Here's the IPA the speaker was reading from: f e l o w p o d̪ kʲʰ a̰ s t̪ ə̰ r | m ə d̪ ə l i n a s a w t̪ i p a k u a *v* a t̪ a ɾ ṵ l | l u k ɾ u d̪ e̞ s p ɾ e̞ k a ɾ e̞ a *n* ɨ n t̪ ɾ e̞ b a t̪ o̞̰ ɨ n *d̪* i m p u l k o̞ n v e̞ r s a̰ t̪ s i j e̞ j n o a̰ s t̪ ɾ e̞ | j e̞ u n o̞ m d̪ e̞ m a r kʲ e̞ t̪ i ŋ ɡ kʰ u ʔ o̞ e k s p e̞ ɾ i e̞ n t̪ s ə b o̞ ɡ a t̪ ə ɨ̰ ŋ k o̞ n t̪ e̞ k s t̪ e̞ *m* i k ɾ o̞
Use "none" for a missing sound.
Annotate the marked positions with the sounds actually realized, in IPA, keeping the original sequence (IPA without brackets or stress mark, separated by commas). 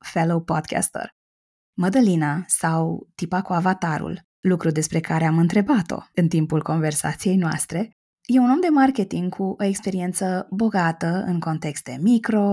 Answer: v, m, t̪, m